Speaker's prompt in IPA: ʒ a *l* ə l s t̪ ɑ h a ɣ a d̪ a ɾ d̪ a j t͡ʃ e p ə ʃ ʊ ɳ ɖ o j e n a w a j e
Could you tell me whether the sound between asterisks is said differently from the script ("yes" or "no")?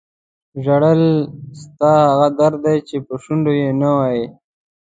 yes